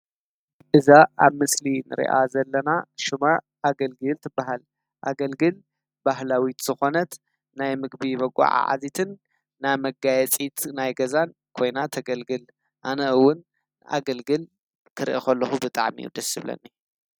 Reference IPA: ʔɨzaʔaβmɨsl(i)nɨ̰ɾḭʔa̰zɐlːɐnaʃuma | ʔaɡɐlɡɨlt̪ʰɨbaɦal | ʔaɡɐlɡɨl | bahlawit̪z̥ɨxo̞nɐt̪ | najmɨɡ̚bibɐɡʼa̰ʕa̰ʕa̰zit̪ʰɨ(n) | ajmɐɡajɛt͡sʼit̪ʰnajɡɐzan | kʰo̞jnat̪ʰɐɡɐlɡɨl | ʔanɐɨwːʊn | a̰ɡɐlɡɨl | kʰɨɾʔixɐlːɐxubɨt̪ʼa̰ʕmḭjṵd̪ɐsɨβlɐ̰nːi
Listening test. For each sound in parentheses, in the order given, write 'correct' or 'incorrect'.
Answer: correct, incorrect

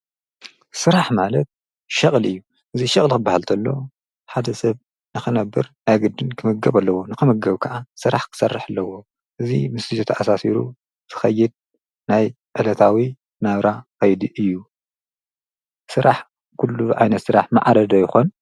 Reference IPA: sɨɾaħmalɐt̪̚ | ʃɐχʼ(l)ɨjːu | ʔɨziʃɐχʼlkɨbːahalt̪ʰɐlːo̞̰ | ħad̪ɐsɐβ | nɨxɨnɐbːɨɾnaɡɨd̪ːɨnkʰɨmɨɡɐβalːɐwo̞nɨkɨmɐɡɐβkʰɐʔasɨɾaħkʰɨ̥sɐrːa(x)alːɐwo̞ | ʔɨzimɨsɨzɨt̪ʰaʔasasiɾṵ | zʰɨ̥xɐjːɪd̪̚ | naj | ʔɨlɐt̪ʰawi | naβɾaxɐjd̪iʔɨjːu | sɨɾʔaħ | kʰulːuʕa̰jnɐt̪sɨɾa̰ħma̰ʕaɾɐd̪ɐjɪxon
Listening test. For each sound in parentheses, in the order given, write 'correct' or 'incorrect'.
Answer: correct, incorrect

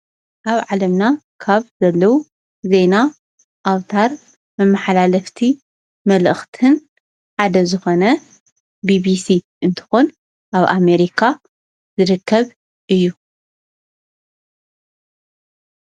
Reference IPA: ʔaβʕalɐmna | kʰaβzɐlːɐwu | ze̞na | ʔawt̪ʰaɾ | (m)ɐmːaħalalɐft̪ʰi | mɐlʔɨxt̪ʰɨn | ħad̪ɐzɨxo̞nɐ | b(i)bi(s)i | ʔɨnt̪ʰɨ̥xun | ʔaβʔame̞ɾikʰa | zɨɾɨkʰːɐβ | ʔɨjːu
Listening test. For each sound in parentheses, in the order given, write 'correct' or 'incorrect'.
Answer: correct, correct, correct

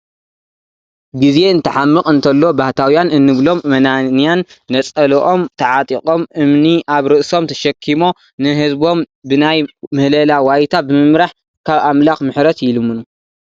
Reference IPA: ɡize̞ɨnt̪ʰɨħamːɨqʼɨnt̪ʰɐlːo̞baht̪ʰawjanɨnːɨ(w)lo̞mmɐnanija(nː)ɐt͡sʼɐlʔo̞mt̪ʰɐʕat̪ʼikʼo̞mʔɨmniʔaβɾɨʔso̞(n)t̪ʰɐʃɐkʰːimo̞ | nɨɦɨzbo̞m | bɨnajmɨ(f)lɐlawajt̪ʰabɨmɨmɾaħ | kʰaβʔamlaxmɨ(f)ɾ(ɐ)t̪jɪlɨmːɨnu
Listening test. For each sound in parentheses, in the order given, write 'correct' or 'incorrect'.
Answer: incorrect, correct, incorrect, incorrect, incorrect, correct

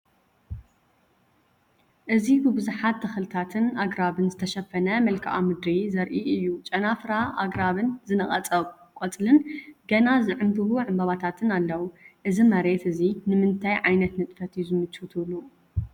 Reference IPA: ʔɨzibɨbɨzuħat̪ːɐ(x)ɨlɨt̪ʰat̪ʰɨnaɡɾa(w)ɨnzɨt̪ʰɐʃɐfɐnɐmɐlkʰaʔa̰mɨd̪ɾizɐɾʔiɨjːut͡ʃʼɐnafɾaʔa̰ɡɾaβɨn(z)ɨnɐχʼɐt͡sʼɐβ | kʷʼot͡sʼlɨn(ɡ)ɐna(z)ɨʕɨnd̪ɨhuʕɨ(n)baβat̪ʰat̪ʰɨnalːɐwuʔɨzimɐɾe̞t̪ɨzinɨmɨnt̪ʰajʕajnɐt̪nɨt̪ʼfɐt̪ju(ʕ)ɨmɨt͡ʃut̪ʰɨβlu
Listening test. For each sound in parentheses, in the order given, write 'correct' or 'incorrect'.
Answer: correct, incorrect, correct, correct, correct, incorrect, incorrect

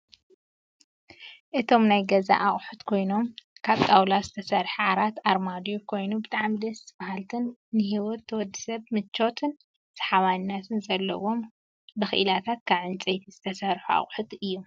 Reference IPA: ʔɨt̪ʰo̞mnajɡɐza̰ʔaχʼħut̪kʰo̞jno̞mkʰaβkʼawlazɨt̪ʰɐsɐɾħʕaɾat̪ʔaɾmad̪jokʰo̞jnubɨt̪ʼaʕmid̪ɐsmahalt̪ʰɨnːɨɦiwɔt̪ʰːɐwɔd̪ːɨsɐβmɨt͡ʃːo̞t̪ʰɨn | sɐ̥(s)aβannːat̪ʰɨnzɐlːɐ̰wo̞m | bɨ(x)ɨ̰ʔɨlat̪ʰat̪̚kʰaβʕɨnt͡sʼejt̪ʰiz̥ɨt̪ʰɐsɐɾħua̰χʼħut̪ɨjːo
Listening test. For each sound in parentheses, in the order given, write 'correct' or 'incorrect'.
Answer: incorrect, correct

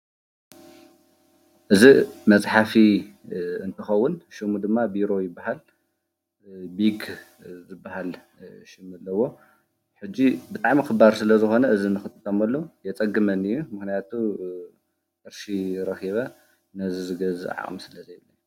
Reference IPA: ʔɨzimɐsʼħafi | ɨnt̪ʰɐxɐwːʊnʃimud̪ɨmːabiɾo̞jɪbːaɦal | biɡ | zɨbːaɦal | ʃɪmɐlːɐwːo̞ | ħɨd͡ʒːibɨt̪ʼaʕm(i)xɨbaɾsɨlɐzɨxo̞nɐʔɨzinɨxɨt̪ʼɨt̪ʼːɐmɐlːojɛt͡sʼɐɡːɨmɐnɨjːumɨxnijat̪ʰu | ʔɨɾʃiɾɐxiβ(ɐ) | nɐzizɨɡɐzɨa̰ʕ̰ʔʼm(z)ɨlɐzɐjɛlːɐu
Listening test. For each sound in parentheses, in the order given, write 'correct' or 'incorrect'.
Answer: correct, correct, incorrect

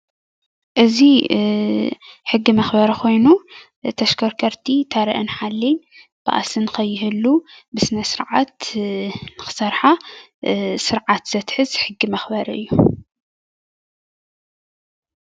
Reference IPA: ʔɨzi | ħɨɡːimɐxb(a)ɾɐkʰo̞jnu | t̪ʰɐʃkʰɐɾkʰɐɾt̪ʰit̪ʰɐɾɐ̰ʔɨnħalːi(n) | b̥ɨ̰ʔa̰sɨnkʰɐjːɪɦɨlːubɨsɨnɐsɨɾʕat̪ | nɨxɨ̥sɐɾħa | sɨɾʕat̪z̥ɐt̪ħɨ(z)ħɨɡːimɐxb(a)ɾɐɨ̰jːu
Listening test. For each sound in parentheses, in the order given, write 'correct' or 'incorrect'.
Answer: incorrect, correct, correct, incorrect

